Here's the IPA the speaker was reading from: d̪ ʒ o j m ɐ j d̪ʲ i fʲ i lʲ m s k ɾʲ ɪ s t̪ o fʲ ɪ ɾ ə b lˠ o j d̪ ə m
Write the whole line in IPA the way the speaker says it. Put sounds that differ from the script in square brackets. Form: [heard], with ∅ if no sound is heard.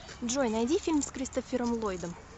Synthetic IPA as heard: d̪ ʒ o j [n] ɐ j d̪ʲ i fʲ i lʲ m s k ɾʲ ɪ s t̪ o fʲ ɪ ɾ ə [m] lˠ o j d̪ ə m